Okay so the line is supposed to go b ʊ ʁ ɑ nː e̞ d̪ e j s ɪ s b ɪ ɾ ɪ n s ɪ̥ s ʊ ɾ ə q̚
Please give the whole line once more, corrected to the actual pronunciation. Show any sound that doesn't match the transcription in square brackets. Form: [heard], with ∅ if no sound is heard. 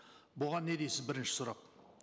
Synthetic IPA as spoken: b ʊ ʁ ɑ nː e̞ d̪ e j s ɪ [z] b ɪ ɾ ɪ n [ʃ] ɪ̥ s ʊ ɾ [ɑ] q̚